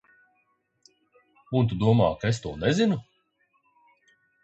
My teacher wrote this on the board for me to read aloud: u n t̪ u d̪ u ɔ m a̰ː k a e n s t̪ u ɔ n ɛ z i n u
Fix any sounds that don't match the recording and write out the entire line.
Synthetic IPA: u n t̪ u d̪ u ɔ m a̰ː k a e s t̪ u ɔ n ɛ z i n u